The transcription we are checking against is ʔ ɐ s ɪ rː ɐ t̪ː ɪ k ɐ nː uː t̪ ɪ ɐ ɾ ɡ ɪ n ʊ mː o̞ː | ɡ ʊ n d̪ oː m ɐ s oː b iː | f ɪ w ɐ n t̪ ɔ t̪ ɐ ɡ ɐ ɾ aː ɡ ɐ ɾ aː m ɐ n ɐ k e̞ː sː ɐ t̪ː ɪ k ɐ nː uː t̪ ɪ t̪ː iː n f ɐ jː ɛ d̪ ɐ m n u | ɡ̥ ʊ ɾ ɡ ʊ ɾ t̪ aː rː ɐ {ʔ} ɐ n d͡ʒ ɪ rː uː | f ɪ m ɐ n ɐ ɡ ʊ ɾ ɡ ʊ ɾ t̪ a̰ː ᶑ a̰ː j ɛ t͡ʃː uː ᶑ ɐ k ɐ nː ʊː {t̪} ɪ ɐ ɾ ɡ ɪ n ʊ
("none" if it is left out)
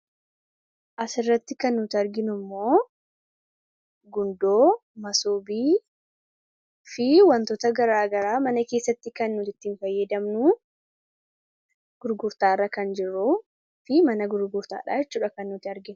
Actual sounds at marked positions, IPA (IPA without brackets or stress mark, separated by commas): k, t̪